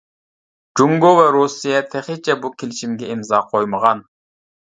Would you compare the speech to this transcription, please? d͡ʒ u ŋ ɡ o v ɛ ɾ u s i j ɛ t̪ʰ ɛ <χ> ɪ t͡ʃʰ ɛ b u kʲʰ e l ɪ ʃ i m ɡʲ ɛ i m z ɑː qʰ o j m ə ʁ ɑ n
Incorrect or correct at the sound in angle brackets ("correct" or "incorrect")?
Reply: correct